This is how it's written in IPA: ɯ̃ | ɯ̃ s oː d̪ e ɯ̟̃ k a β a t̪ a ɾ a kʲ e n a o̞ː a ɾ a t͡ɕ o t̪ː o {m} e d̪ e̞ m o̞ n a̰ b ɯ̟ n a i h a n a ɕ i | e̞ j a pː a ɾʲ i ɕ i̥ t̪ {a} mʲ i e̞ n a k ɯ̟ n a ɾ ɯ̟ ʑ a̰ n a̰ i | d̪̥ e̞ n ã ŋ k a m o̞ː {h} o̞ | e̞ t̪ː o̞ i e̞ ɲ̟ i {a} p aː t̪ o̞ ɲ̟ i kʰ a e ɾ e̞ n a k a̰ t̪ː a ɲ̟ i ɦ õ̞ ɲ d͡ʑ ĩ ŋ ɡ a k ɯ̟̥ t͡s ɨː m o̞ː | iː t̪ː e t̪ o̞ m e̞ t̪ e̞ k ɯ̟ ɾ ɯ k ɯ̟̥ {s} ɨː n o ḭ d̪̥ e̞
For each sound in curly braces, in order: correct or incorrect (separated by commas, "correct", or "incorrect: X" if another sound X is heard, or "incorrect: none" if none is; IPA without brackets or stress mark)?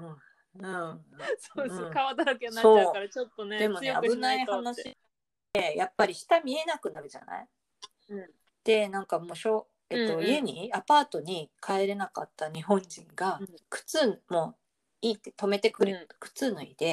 incorrect: n, correct, incorrect: ɕ, correct, incorrect: t͡s